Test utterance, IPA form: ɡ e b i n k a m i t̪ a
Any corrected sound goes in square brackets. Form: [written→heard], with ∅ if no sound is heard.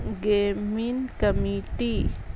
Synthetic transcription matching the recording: ɡ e [b→m] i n k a m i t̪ [a→i]

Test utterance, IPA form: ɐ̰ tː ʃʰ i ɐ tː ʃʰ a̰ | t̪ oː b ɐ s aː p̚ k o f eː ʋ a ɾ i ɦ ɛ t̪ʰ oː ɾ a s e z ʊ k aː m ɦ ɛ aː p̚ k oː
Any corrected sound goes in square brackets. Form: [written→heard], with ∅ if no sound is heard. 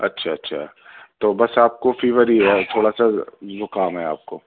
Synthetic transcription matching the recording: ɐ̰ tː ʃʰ [i→a] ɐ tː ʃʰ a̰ | t̪ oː b ɐ s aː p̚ k o f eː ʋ [a→ə] ɾ i ɦ ɛ t̪ʰ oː [ɾ→ɽ] a s [e→a] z ʊ k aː m ɦ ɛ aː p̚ k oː

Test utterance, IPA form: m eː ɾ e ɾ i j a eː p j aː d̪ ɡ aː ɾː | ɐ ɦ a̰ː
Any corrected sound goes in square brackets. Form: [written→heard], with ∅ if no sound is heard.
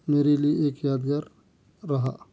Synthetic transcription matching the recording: m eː ɾ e [ɾ→l] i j [a→e] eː [p→k] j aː d̪ ɡ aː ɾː | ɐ ɦ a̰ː

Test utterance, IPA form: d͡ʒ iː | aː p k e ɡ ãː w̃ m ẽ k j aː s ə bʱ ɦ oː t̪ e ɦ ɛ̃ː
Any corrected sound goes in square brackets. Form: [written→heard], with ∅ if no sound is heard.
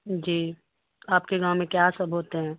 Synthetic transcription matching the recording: d͡ʒ iː | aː p k e ɡ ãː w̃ m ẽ k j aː s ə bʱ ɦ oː t̪ e ɦ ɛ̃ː

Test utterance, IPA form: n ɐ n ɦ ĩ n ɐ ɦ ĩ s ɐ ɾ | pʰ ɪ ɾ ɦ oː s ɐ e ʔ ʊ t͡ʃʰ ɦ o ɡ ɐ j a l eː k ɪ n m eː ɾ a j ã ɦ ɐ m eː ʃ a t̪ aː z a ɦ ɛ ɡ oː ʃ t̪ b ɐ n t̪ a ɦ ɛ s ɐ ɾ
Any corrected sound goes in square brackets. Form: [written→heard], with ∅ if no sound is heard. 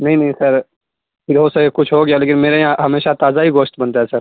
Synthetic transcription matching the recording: n ɐ [n→∅] ɦ ĩ n ɐ ɦ ĩ s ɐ ɾ | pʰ ɪ ɾ ɦ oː s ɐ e [ʔ→k] ʊ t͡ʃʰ ɦ o ɡ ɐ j a l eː k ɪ n m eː ɾ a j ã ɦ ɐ m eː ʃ a t̪ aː z a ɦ [ɛ→i] ɡ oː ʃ t̪ b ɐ n t̪ a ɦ ɛ s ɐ ɾ

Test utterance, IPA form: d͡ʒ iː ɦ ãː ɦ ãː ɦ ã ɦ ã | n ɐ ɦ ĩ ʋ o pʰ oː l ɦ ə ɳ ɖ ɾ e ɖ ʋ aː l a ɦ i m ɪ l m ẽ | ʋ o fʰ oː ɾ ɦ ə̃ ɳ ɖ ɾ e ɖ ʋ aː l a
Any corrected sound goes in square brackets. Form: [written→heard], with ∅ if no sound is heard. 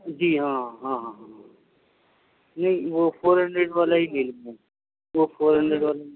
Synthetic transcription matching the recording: d͡ʒ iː ɦ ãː ɦ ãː ɦ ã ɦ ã | n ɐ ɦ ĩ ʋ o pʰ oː [l→ɾ] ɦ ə ɳ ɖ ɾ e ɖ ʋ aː l a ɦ i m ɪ l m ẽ | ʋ o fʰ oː ɾ ɦ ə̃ ɳ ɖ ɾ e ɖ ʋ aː l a

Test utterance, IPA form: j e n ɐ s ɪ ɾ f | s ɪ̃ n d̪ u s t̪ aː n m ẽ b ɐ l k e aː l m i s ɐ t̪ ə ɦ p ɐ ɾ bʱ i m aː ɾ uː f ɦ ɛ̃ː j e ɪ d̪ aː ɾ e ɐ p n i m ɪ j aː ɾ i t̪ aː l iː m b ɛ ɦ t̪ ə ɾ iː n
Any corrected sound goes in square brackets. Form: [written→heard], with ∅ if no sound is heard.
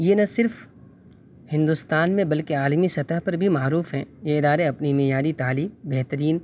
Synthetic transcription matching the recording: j e n ɐ s ɪ ɾ f | [s→h] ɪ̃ n d̪ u s t̪ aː n m ẽ b ɐ l k e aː l m i s ɐ t̪ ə ɦ p ɐ ɾ bʱ i m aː ɾ uː f ɦ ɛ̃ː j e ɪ d̪ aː ɾ e ɐ p n i m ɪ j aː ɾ i t̪ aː l iː m b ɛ ɦ t̪ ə ɾ iː n

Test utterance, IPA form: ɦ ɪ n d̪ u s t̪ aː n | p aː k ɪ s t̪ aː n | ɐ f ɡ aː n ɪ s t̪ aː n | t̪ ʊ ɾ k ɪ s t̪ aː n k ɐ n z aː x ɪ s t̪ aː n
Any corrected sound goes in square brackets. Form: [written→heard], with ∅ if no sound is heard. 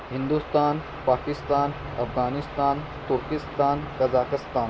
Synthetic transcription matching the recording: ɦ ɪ n d̪ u s t̪ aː n | p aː k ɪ s t̪ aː n | ɐ f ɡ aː n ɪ s t̪ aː n | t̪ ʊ ɾ k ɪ s t̪ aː n k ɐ [n→∅] z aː [x→k] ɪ s t̪ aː n

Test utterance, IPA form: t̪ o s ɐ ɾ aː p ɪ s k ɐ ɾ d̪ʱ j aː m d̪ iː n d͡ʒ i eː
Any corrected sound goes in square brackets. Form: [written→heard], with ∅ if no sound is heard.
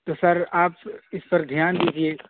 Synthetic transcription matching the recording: t̪ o s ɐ ɾ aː p ɪ s [k→p] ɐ ɾ d̪ʱ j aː [m→n] d̪ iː [n→∅] d͡ʒ i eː

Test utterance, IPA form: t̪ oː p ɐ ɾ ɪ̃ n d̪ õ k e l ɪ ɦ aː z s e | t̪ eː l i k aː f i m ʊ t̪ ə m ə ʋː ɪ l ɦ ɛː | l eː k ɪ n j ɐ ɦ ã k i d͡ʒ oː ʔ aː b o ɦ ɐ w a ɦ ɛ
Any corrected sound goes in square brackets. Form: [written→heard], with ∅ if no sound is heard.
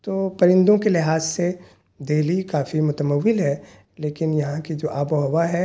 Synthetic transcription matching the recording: t̪ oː p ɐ ɾ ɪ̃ n d̪ õ k e l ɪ ɦ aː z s e | [t̪→d̪] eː l i k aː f i m ʊ t̪ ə m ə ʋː ɪ l ɦ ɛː | l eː k ɪ n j ɐ ɦ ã k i d͡ʒ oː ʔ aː b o ɦ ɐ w a ɦ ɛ

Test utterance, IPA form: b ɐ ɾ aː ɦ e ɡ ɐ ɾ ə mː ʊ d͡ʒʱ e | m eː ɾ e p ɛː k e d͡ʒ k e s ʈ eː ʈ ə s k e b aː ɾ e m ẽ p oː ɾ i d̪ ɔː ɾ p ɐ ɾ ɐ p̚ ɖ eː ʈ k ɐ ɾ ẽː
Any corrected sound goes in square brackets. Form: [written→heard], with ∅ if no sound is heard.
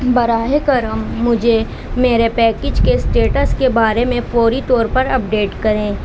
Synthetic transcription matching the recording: b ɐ ɾ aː ɦ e [ɡ→k] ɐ ɾ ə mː ʊ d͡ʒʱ e | m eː ɾ e p ɛː k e d͡ʒ k e s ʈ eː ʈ ə s k e b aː ɾ e m ẽ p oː ɾ i [d̪→t̪] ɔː ɾ p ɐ ɾ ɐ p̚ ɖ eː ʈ k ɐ ɾ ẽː

